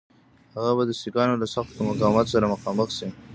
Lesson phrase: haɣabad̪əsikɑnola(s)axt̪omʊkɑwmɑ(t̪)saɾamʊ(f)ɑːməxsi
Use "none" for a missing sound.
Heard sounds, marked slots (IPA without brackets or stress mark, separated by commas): s, t̪, x